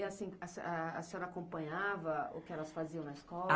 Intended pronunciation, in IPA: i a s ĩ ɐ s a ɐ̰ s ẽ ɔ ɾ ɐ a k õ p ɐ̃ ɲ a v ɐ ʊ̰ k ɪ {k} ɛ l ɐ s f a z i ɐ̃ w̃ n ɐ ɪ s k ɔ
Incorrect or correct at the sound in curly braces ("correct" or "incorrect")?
incorrect